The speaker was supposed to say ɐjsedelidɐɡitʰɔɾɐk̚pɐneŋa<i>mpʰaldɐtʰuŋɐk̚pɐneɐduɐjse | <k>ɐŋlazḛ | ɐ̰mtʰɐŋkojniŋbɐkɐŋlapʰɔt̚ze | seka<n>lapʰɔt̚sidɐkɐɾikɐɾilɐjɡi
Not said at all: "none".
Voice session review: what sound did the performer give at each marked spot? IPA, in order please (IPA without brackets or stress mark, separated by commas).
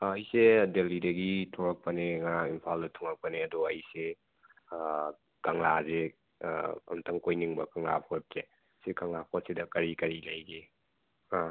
i, k, ŋ